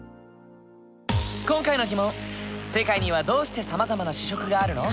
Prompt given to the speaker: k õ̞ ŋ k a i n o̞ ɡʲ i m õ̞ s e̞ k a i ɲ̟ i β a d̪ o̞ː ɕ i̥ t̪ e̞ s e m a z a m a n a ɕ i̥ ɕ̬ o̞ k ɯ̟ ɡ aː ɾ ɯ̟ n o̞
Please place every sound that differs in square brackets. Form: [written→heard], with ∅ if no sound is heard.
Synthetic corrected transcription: k õ̞ ŋ k a i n o̞ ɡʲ i m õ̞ s e̞ k a i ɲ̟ i β a d̪ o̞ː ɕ i̥ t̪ e̞ s [e→a] m a z a m a n a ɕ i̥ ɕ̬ o̞ k ɯ̟ ɡ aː ɾ ɯ̟ n o̞